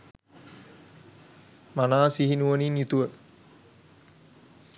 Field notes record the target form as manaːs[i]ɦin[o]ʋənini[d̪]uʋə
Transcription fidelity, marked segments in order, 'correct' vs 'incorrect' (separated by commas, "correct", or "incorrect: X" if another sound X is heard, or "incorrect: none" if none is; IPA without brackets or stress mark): correct, incorrect: u, incorrect: t̪